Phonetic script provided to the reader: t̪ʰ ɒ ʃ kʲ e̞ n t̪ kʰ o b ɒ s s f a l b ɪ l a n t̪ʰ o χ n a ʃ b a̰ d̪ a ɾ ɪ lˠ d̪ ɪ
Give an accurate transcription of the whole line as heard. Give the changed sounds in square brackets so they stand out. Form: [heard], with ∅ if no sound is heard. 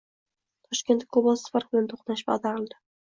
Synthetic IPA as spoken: t̪ʰ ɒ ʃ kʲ e̞ n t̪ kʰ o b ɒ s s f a [ɾ] b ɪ l a n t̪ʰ o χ n a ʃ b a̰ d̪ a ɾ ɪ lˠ d̪ ɪ